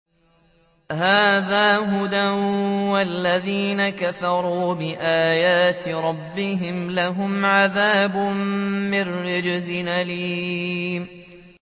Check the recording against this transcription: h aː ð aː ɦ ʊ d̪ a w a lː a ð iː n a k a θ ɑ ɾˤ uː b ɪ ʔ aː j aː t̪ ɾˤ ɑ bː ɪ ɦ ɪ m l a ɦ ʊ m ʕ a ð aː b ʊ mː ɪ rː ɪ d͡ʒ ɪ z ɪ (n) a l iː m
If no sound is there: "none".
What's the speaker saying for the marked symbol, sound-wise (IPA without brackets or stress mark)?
n